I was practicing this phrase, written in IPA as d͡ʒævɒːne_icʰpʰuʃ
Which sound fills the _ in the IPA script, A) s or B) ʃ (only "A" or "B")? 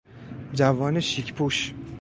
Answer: B